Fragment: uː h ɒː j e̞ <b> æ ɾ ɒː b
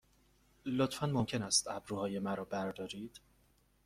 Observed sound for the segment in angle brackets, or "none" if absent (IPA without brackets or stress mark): m